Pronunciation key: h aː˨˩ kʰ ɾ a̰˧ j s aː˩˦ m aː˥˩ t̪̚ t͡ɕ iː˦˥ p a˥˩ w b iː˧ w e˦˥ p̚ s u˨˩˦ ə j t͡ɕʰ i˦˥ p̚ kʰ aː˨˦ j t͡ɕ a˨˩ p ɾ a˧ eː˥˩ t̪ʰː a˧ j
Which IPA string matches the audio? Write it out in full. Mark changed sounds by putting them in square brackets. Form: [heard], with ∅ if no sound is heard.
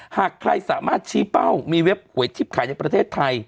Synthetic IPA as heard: h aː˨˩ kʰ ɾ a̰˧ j s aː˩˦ m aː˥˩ t̪̚ [t͡ɕʰ] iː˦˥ p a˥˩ w [m] iː˧ w e˦˥ p̚ [h] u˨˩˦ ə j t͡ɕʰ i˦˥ p̚ kʰ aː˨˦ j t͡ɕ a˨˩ p ɾ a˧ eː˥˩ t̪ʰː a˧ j